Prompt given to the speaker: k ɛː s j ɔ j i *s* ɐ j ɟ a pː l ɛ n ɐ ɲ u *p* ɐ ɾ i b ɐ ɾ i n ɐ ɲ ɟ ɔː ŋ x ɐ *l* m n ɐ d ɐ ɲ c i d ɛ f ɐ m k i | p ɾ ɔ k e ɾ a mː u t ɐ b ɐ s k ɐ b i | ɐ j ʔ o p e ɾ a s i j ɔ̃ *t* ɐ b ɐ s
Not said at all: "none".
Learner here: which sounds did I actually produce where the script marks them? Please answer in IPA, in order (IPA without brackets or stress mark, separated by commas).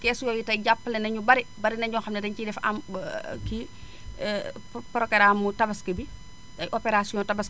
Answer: t, b, none, t